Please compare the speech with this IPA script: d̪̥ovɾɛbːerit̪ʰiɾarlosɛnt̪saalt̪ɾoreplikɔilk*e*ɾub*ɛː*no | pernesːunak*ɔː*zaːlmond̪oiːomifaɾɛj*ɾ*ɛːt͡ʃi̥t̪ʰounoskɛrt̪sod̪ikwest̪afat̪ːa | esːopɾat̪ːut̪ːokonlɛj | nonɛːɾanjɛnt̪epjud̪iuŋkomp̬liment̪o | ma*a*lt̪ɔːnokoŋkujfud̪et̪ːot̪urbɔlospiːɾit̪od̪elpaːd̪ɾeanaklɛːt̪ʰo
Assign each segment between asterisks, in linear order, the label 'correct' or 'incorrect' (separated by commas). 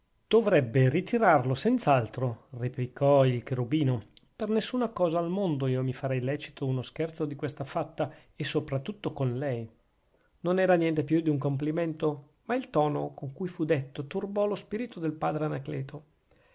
correct, incorrect, correct, incorrect, incorrect